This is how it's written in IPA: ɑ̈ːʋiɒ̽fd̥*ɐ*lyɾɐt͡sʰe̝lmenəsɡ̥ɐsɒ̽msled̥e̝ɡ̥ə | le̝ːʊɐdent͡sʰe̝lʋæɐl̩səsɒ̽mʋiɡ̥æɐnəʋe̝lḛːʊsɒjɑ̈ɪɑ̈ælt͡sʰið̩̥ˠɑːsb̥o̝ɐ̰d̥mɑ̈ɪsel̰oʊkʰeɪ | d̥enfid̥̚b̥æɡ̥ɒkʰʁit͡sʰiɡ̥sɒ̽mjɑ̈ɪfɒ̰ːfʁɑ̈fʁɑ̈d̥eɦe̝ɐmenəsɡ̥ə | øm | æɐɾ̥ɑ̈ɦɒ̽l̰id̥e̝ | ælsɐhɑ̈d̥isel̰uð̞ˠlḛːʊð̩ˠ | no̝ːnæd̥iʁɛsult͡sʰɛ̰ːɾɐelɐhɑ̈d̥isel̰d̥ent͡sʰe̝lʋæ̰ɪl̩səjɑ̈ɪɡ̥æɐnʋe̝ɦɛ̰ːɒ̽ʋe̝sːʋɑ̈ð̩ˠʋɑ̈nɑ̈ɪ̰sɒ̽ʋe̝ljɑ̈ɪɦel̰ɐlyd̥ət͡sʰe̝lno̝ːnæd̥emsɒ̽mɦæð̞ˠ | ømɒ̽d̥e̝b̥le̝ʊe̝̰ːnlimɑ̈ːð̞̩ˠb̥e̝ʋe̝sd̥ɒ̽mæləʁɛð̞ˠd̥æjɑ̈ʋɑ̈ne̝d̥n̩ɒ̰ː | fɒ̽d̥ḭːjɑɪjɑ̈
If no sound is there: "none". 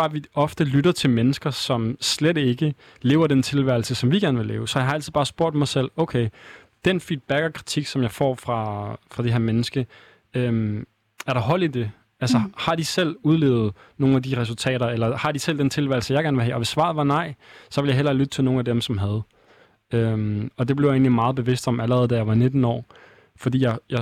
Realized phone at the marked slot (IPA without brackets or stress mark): ə